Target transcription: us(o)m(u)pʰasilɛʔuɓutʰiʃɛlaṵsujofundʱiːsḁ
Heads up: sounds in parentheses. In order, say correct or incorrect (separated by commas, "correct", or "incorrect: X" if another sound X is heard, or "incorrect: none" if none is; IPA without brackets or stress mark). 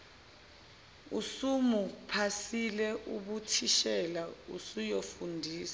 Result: incorrect: u, correct